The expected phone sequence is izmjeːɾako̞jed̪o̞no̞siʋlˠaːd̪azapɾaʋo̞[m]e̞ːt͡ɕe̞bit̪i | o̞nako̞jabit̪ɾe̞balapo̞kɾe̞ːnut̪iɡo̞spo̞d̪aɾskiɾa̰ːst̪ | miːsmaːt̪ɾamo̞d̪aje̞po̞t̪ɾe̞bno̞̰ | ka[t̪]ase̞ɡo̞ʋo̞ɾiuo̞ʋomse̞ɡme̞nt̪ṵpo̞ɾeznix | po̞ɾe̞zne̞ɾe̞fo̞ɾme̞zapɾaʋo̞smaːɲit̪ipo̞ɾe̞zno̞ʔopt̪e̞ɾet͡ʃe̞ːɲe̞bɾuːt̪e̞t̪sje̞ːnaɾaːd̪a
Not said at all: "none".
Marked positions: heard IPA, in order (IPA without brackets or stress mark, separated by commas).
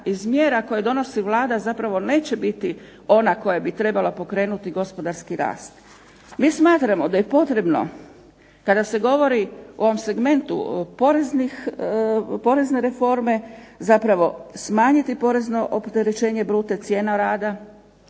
n, d̪